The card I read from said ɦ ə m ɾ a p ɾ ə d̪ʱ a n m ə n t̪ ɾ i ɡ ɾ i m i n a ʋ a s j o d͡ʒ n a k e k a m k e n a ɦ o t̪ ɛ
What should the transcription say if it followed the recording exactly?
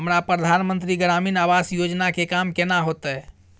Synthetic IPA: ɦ ə m ɾ a p ɾ ə d̪ʱ a n m ə n t̪ ɾ i ɡ ɾ a m i n a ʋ a s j o d͡ʒ n a k e k a m k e n a ɦ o t̪ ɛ